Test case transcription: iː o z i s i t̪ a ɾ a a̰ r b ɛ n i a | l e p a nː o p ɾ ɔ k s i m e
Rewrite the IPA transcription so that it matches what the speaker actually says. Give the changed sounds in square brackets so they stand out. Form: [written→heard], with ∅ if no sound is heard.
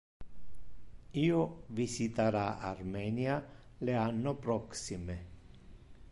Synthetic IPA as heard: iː o [z→v] i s i t̪ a ɾ a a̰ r [b→m] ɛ n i a | l e [p→∅] a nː o p ɾ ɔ k s i m e